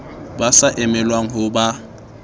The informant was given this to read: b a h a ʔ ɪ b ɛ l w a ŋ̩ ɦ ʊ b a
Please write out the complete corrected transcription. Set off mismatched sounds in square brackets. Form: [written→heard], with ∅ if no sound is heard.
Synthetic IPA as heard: b a [h→s] a ʔ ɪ [b→m] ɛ l w a ŋ̩ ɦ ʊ b a